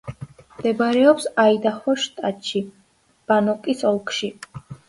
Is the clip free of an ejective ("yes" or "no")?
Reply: no